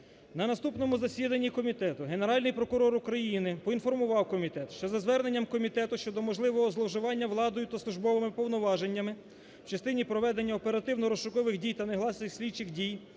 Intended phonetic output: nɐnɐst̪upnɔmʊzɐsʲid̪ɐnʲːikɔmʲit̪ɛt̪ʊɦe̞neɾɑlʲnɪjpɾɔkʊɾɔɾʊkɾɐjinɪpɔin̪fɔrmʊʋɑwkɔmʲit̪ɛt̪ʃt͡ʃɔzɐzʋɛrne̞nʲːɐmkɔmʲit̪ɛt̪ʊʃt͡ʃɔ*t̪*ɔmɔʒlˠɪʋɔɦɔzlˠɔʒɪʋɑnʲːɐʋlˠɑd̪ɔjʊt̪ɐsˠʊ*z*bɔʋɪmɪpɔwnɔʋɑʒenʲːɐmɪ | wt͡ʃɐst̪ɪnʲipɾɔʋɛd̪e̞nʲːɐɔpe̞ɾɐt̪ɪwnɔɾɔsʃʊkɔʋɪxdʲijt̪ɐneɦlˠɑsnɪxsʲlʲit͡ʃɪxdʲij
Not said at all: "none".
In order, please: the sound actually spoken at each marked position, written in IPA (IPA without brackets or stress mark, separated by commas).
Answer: d̪, ʒ